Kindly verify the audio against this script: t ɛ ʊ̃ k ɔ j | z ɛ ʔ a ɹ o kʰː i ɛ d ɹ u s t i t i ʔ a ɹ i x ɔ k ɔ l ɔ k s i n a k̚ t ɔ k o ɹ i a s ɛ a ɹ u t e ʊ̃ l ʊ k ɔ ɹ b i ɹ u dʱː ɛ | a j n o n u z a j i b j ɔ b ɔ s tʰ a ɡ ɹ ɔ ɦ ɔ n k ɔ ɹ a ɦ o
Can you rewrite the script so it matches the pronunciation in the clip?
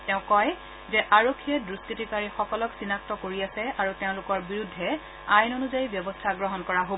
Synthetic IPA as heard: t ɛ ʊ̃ k ɔ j | z ɛ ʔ a ɹ o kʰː i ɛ d ɹ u s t i t i k a ɹ i x ɔ k ɔ l ɔ k s i n a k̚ t ɔ k o ɹ i a s ɛ a ɹ u t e ʊ̃ l ʊ k ɔ ɹ b i ɹ u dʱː ɛ | a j n o n u z a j i b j ɔ b ɔ s tʰ a ɡ ɹ ɔ ɦ ɔ n k ɔ ɹ a ɦ o